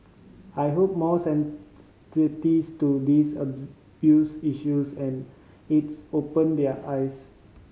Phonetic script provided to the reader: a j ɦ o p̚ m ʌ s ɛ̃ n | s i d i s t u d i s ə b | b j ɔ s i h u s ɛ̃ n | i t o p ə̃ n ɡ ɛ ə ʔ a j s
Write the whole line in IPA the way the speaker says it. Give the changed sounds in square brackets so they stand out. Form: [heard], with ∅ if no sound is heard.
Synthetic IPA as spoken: a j ɦ o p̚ m [ɔ] s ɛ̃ n | s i [t] i s t u d i s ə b | b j [u] s i [ʃ] u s ɛ̃ n | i t o p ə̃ n [d] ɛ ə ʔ a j s